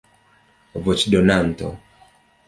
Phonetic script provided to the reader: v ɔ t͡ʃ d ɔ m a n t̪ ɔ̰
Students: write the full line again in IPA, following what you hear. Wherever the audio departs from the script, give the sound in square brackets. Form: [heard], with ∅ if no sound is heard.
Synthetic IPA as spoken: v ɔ t͡ʃ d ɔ [n] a n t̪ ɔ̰